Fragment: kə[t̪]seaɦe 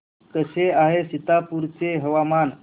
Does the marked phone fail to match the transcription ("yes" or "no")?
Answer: yes